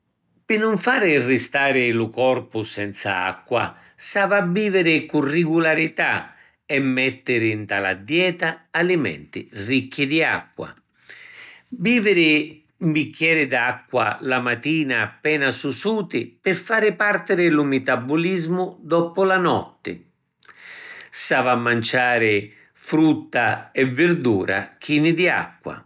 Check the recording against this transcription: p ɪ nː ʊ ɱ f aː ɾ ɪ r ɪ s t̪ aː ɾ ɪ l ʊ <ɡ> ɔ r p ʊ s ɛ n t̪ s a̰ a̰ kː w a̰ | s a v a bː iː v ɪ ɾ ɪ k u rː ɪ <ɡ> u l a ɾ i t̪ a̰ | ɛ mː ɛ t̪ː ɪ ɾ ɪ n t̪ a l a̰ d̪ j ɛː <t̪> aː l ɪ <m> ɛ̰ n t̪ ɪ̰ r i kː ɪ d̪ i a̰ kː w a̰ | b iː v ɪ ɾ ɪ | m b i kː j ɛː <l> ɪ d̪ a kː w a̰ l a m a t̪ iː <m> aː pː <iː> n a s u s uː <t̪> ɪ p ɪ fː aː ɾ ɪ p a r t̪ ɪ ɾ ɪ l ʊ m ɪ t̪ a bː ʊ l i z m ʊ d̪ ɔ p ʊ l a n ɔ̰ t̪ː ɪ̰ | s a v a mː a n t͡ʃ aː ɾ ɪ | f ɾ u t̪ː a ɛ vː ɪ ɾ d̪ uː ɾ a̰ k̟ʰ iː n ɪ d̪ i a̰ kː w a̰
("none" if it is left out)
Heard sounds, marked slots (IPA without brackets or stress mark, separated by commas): k, ɡ, t̪, m, ɾ, n, ɛː, t̪